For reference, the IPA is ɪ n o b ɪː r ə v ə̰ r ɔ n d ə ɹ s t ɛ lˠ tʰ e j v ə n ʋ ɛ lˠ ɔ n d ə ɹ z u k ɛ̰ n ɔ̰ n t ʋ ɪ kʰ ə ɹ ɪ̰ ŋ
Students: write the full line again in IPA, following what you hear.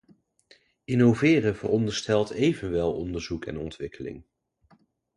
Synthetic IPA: ɪ n o v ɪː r ə v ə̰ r ɔ n d ə ɹ s t ɛ lˠ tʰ e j v ə n ʋ ɛ lˠ ɔ n d ə ɹ z u k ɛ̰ n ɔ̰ n t ʋ ɪ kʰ ə l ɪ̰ ŋ